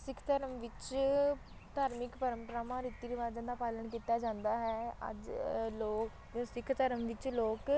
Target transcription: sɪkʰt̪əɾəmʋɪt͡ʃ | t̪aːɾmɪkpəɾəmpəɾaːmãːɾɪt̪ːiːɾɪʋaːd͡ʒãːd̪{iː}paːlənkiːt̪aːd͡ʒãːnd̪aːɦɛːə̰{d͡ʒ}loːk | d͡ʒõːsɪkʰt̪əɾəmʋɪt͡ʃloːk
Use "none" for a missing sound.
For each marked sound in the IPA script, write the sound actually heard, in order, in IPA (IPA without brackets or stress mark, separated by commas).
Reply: aː, d͡ʒ